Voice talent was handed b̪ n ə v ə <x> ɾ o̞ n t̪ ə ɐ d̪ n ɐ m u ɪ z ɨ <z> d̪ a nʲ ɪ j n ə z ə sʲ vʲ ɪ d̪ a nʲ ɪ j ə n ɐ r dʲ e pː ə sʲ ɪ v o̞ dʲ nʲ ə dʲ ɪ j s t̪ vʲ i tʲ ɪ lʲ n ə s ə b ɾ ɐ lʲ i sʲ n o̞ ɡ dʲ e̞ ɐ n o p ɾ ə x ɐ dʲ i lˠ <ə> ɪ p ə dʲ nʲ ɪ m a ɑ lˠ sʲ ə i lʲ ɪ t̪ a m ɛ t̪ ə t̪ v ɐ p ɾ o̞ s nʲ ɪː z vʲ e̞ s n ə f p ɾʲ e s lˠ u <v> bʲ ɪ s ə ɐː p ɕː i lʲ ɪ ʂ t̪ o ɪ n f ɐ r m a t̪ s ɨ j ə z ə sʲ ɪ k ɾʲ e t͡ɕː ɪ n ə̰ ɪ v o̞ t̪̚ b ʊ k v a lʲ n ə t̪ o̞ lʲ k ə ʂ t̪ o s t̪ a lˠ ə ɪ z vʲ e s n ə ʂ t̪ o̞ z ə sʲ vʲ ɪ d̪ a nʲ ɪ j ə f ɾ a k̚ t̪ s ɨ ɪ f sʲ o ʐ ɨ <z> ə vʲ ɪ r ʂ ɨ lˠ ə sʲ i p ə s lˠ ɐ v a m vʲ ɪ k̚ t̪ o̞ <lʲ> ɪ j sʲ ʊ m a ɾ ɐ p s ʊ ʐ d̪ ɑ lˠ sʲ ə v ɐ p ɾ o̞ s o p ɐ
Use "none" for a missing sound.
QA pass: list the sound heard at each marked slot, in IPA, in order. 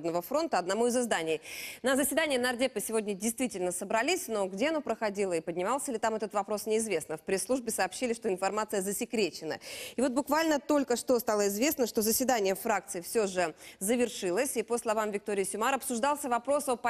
f, z, ə, ʐ, z, ɾʲ

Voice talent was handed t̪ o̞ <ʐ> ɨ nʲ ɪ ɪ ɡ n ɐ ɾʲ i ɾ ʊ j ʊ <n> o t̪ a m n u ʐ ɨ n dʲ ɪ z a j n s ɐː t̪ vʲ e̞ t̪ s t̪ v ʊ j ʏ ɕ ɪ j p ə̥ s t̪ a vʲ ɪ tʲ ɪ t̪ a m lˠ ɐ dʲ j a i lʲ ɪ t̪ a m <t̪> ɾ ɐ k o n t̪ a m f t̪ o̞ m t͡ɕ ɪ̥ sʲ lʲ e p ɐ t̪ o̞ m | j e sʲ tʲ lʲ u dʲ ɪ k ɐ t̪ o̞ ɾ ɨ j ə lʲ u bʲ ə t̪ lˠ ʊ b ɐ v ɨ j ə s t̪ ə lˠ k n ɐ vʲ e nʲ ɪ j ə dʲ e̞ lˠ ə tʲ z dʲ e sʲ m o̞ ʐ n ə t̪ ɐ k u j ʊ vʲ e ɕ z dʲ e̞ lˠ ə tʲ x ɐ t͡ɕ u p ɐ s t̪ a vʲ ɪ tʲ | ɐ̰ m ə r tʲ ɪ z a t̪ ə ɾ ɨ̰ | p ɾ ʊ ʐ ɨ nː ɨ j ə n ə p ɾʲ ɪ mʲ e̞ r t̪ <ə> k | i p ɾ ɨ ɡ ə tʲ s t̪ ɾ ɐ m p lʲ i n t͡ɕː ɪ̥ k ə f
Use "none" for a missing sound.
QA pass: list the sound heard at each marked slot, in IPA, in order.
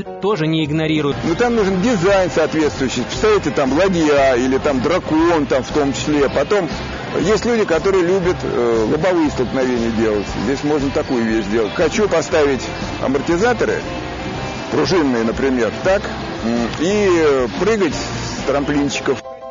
ʐ, n, d̪, a

